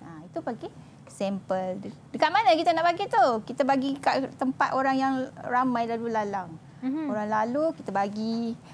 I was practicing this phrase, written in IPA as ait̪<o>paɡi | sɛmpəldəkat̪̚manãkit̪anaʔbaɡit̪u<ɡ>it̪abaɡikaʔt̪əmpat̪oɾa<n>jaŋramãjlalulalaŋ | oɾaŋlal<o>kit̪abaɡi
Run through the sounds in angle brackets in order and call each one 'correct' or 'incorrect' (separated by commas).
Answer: incorrect, incorrect, incorrect, incorrect